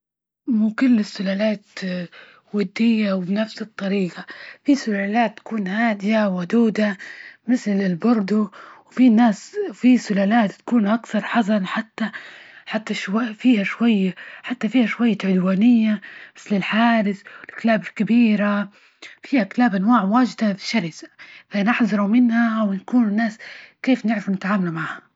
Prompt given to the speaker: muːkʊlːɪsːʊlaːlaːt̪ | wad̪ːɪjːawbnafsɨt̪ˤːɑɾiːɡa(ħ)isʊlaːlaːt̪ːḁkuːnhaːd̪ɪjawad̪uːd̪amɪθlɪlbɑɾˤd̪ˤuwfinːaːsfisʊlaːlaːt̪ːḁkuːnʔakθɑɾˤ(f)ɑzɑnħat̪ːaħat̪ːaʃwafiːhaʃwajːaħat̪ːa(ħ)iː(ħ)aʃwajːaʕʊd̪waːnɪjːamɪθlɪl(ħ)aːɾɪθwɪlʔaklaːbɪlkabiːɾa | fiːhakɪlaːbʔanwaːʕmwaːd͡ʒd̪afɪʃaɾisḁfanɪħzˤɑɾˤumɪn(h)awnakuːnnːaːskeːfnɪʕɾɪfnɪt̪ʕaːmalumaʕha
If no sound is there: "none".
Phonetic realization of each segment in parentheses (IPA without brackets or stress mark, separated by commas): f, ħ, f, h, ħ, h